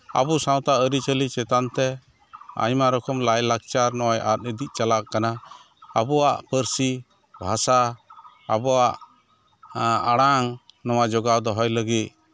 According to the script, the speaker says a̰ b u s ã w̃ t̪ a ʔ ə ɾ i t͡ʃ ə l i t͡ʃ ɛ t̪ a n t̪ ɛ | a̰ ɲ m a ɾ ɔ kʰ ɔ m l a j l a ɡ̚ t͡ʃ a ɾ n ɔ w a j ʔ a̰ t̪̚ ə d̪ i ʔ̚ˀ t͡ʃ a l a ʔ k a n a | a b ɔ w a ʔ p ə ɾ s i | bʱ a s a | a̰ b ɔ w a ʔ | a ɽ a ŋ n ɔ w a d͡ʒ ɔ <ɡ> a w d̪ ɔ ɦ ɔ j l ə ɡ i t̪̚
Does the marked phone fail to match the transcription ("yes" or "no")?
no